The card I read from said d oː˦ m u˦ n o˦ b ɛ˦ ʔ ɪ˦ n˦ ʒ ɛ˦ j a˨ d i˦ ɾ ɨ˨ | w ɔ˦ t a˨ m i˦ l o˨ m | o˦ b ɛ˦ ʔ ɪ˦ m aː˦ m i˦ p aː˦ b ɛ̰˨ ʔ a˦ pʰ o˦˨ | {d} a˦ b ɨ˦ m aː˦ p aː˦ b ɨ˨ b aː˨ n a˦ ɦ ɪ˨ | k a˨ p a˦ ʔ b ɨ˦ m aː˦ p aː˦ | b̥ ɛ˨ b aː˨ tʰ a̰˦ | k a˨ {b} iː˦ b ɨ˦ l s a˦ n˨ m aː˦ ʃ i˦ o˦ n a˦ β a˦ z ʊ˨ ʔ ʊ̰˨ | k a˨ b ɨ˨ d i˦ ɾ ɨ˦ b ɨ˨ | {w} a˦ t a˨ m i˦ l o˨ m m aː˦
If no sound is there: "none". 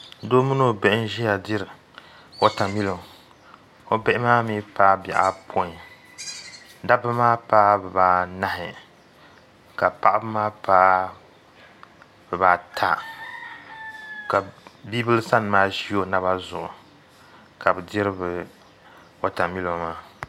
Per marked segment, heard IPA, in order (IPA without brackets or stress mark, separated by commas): d, b, w